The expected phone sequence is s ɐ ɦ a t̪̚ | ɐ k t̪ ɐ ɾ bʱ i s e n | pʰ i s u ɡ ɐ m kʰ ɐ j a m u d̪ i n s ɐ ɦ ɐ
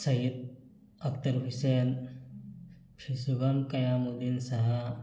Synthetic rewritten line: s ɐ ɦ i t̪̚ | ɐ k t̪ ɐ ɾ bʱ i s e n | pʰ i s u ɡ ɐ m k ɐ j a m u d̪ i n s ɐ ɦ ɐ